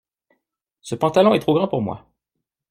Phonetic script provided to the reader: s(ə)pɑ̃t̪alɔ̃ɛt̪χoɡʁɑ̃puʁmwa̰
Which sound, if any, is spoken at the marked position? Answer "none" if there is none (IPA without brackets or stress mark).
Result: ə